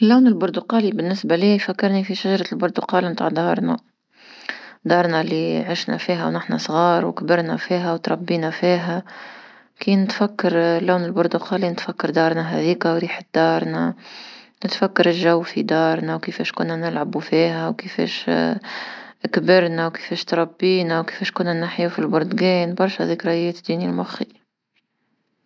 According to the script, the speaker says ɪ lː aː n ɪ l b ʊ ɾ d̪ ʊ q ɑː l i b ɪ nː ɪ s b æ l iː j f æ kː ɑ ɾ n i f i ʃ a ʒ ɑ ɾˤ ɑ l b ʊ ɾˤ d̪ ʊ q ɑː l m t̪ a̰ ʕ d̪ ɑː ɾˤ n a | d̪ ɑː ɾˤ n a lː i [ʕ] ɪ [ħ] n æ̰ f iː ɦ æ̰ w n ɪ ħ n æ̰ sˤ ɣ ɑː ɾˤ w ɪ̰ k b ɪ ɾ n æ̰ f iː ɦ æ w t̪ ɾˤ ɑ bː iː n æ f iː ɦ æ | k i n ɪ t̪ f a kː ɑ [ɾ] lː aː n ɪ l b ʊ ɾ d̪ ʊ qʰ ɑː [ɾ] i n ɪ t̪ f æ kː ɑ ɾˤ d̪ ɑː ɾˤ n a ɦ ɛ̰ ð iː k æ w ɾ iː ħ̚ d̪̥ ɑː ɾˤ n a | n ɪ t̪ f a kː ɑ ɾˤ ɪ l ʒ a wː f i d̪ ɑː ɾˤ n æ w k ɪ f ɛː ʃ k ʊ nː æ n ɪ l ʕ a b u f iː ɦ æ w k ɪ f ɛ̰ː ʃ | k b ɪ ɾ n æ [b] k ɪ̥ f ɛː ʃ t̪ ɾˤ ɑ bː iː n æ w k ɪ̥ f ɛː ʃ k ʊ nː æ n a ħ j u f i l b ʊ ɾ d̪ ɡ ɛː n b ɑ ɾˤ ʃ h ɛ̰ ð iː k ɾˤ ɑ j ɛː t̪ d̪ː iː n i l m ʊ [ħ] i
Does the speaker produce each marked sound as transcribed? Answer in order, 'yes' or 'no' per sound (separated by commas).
yes, no, yes, no, no, no